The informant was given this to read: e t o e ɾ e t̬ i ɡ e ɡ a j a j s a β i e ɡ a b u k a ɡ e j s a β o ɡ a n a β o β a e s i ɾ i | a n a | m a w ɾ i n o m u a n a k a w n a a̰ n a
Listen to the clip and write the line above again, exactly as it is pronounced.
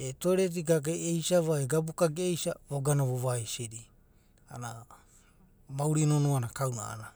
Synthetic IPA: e t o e ɾ e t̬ i ɡ a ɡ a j e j s a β a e ɡ a b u k a ɡ e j s a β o ɡ a n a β o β a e s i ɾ i | a n a | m a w ɾ i n o n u a n a k a w n a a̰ n a